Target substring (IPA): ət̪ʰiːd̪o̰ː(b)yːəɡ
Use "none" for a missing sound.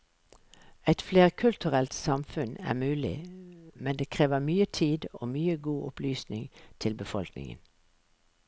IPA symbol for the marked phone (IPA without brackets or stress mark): m